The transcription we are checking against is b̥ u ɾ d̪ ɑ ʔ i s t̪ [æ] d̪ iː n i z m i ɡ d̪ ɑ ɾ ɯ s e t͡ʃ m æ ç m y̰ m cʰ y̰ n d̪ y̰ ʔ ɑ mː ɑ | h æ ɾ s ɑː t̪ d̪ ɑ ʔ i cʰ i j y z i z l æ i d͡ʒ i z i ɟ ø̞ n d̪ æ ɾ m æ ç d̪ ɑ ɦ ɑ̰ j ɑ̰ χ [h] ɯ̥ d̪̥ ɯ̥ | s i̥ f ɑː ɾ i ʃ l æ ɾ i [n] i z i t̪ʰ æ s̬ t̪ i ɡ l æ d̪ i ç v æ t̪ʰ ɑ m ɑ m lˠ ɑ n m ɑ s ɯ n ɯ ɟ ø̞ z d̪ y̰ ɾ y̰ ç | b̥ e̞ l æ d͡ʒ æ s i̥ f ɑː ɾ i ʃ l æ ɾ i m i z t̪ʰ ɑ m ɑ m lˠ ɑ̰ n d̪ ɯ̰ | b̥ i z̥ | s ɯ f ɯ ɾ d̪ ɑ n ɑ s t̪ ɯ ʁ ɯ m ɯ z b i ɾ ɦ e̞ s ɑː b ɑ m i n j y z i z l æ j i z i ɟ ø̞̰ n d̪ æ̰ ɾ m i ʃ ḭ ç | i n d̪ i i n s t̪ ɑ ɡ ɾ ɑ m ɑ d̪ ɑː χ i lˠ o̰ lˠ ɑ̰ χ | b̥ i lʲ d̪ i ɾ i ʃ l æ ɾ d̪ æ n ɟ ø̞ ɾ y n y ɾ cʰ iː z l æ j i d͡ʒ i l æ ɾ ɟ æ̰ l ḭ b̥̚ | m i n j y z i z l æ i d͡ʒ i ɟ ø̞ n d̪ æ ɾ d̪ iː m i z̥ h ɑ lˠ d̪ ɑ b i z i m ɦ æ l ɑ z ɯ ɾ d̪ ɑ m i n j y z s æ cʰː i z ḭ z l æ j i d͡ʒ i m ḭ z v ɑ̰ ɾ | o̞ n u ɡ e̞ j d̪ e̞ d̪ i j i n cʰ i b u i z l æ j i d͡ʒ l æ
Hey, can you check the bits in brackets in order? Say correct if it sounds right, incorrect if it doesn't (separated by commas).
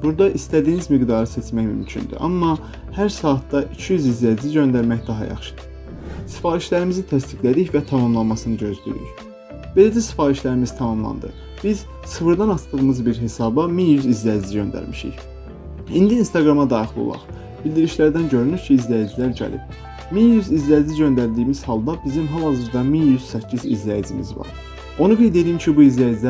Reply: correct, incorrect, incorrect